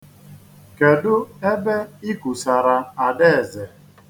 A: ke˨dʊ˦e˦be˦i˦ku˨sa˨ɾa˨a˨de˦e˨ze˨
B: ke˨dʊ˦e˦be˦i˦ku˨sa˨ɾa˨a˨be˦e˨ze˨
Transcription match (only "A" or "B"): A